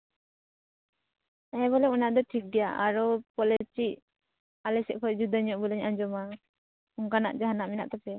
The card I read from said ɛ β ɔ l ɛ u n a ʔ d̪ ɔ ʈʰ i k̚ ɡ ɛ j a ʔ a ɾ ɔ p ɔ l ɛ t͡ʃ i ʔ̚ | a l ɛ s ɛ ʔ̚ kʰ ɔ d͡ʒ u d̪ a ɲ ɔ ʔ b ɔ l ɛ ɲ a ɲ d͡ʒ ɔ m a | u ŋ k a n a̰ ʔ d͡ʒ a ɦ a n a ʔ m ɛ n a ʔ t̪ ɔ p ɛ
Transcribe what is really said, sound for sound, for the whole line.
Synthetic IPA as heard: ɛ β ɔ l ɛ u n a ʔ d̪ ɔ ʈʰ i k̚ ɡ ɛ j a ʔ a ɾ ɔ p ɔ l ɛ t͡ʃ i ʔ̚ | a l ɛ s ɛ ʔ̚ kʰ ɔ d͡ʒ u d̪ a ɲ ɔ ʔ b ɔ l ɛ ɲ a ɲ d͡ʒ ɔ m a | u ŋ k a n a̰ ʔ d͡ʒ a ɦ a n a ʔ m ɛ n a ʔ t̪ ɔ p ɛ